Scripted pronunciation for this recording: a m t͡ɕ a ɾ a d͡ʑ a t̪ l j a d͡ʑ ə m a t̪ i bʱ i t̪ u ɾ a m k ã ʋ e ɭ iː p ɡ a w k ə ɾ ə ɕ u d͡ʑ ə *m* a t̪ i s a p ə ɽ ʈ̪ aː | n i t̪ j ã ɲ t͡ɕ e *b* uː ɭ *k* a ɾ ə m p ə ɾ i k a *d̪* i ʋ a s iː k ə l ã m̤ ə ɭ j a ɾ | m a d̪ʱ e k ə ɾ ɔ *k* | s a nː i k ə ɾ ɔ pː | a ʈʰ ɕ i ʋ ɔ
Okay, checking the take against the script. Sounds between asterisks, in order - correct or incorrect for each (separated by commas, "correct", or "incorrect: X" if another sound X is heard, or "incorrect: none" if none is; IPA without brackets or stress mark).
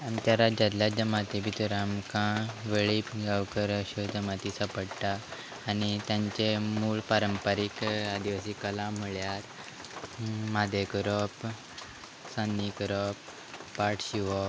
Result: correct, incorrect: m, incorrect: p, correct, incorrect: p